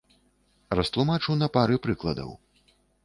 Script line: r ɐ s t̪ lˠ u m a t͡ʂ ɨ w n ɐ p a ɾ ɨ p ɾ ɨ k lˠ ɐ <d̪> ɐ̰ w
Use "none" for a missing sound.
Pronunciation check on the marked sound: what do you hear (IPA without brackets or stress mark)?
d̪